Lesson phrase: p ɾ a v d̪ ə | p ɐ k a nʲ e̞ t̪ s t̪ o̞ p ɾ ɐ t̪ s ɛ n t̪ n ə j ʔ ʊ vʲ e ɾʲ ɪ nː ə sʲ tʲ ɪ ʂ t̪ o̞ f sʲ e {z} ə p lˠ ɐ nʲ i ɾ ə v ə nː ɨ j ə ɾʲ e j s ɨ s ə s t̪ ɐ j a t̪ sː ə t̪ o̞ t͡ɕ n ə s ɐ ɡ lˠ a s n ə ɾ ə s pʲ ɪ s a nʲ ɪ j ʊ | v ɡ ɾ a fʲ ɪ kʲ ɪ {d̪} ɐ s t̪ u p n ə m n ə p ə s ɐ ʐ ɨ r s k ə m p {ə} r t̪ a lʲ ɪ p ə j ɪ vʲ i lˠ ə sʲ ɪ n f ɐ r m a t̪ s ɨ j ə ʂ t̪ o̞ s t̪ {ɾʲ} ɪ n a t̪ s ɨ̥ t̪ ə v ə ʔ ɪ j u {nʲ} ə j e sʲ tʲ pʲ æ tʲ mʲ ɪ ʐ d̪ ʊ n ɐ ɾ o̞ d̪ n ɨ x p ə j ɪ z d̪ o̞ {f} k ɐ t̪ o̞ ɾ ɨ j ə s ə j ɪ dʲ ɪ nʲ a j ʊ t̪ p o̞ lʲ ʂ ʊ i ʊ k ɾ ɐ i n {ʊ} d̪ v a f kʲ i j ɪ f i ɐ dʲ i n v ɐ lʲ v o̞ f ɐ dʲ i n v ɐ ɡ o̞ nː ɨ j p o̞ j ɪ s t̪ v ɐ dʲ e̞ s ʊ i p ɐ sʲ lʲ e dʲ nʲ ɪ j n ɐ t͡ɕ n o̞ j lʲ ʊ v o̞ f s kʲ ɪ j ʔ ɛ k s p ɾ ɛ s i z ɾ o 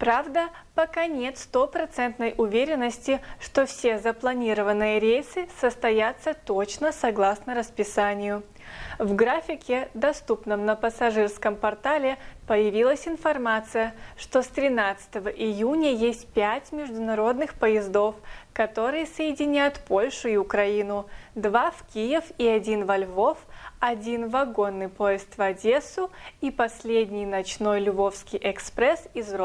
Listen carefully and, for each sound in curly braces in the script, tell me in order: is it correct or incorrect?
correct, correct, incorrect: ɐ, correct, correct, correct, correct

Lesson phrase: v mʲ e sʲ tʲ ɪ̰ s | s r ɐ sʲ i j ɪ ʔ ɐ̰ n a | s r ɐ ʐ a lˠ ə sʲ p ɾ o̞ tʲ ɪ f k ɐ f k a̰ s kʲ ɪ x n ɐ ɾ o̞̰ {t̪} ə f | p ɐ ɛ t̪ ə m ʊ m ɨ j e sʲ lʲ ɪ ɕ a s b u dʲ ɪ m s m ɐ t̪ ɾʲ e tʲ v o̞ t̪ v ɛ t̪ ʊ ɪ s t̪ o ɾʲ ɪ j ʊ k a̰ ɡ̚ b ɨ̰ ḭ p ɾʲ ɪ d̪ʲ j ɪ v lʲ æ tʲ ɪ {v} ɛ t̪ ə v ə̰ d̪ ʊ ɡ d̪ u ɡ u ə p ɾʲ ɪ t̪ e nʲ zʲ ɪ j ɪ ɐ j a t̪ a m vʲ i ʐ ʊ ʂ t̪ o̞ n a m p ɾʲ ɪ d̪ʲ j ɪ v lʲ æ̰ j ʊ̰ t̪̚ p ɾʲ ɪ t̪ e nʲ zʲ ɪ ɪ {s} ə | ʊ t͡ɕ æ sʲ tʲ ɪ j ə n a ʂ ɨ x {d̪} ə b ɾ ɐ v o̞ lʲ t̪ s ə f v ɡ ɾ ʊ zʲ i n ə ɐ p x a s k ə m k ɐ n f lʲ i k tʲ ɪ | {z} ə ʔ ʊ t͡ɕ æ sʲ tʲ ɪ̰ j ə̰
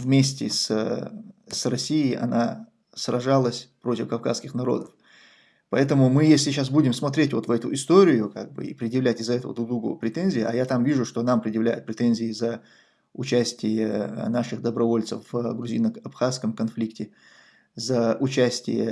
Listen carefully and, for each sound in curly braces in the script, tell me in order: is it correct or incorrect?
incorrect: d̪, incorrect: z, incorrect: z, correct, correct

